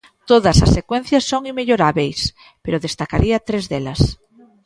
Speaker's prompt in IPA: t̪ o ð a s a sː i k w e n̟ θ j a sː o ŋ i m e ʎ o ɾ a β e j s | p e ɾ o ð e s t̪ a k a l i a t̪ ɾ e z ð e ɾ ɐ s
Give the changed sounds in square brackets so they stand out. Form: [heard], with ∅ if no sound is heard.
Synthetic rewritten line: t̪ o ð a s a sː [e] k w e n̟ θ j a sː o ŋ i m e ʎ o ɾ a β e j s | p e ɾ o ð e s t̪ a k a [ɾ] i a t̪ ɾ e z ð e [l] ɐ s